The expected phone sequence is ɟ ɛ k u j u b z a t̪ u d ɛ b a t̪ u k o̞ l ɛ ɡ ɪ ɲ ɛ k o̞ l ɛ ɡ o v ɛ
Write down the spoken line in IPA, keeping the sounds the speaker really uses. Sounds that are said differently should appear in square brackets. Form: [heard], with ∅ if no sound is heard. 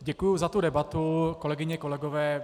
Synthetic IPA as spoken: ɟ ɛ k u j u [∅] z a t̪ u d ɛ b a t̪ u k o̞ l ɛ ɡ ɪ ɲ ɛ k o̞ l ɛ ɡ o v [ɛː]